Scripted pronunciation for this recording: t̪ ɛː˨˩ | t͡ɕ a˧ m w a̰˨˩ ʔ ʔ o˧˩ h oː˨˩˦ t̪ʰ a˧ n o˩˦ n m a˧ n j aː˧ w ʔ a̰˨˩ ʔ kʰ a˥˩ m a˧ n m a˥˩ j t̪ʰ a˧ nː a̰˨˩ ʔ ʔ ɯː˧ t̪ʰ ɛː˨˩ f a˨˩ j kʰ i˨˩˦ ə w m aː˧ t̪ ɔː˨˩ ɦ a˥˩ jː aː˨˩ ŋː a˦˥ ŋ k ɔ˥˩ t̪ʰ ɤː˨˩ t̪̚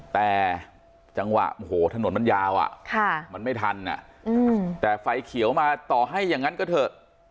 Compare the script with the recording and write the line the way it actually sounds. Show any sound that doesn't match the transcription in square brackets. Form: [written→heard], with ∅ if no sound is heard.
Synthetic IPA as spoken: t̪ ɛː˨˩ | t͡ɕ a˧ [m→ŋ] w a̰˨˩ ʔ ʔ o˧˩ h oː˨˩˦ t̪ʰ a˧ n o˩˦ n m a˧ n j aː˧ w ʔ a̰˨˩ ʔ kʰ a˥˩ m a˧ n m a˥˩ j t̪ʰ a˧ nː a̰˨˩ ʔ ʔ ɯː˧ [t̪ʰ→t̪] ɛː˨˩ f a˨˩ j kʰ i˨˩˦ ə w m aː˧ t̪ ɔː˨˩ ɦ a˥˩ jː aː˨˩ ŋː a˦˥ [ŋ→n] k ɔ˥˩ t̪ʰ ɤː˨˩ t̪̚